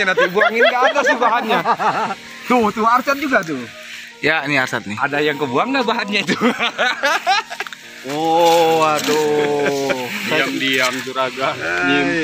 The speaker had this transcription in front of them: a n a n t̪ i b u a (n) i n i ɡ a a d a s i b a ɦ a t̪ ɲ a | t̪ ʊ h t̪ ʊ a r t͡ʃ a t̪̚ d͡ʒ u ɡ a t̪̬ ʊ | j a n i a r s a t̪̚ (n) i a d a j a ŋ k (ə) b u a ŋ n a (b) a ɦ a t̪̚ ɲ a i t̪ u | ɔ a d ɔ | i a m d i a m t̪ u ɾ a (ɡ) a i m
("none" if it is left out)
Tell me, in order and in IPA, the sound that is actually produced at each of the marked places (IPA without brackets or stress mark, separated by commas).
ŋ, n, ə, b, ɡ